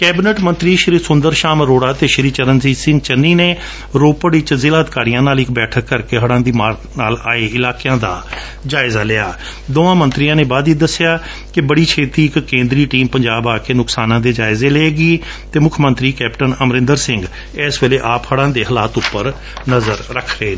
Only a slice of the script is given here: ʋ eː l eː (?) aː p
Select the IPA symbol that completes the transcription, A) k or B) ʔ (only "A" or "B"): B